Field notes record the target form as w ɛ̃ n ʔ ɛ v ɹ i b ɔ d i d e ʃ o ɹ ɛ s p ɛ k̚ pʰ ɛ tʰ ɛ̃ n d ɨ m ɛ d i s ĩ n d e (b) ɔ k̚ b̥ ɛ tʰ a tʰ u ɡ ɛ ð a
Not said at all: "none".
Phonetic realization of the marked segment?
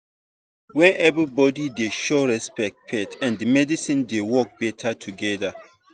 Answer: w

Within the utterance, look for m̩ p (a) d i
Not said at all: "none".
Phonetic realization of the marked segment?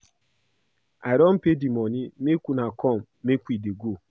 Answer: e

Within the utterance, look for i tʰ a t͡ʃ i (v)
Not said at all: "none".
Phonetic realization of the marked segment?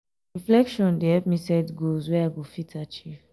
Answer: v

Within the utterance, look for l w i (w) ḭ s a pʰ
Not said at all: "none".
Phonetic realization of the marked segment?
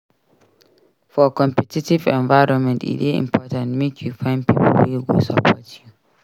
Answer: w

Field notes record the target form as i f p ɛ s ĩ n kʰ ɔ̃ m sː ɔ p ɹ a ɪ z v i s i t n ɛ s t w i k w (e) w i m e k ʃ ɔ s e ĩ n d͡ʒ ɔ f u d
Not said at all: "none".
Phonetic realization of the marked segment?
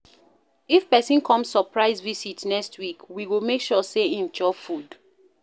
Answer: i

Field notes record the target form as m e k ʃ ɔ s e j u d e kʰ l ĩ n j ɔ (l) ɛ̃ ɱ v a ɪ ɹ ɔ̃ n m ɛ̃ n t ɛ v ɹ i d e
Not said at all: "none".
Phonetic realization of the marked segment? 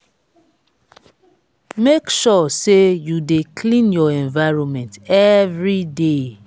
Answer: none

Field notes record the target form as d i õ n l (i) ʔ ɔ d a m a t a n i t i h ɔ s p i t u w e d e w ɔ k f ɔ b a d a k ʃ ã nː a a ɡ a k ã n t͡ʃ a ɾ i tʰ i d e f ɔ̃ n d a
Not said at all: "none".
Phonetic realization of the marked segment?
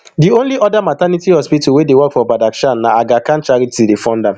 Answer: i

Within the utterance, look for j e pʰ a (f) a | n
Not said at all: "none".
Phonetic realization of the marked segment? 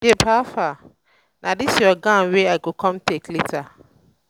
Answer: f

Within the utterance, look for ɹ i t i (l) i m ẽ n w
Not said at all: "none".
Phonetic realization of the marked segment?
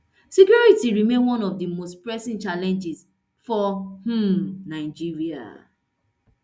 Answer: ɹ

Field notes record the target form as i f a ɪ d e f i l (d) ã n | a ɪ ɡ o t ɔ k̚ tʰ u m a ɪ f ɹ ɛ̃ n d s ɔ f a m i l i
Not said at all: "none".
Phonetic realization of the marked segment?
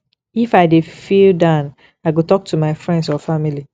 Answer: d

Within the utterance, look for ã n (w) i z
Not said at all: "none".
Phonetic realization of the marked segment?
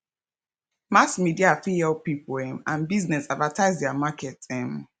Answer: b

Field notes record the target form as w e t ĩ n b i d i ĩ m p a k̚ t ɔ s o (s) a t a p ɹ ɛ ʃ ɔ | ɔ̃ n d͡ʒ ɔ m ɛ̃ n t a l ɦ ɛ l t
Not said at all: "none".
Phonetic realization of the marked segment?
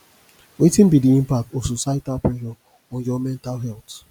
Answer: s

